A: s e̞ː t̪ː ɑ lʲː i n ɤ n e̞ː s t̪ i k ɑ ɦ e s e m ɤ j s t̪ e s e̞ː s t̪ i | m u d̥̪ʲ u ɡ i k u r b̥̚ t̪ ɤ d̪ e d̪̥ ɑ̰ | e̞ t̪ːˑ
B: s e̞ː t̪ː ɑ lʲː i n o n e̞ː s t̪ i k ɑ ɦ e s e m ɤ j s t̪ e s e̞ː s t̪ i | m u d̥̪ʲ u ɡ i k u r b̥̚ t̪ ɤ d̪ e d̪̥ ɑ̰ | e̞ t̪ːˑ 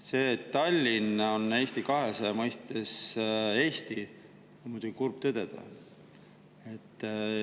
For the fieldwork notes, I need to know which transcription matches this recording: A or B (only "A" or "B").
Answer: B